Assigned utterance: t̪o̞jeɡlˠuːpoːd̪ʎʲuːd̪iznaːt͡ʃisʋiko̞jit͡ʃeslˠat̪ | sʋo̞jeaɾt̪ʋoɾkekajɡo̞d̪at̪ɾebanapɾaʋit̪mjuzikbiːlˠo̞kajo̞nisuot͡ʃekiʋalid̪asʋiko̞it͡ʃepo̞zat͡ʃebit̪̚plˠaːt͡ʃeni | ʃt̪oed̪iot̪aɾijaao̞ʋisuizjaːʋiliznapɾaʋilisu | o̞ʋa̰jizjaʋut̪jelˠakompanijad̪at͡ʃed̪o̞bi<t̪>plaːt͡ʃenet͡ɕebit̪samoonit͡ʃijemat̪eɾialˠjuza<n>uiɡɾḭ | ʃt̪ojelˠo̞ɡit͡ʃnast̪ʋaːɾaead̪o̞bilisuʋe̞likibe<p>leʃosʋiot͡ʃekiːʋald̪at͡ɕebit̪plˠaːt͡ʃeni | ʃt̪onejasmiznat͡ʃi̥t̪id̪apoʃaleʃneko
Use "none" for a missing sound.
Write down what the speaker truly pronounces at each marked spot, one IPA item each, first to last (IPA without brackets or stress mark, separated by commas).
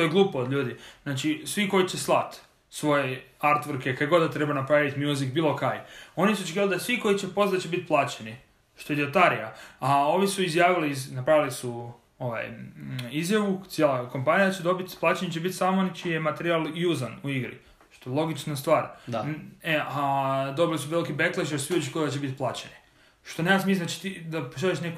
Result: t̪, n, k